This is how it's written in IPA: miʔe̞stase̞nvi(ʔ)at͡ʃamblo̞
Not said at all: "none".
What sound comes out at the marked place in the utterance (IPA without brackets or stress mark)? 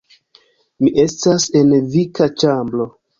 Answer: k